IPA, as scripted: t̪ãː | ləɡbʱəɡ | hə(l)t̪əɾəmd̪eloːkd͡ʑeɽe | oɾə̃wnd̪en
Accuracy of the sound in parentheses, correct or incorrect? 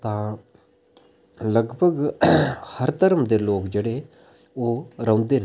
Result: incorrect